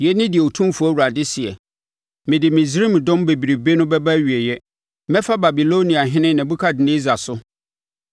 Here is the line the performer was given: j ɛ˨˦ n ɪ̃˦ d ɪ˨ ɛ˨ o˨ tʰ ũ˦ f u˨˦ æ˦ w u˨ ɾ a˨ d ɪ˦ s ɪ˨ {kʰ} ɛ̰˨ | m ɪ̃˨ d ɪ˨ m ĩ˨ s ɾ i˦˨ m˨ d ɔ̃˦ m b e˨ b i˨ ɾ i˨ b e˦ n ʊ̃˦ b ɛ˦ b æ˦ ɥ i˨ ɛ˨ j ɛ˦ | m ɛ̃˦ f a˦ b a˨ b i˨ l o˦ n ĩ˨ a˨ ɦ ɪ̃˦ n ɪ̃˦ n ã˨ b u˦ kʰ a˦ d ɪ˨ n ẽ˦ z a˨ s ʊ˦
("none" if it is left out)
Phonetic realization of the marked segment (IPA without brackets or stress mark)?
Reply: none